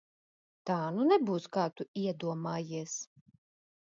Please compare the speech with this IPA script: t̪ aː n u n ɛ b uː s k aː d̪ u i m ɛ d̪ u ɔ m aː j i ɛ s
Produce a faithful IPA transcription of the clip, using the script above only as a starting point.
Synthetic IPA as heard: t̪ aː n u n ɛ b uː s k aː t̪ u i ɛ d̪ u ɔ m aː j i ɛ s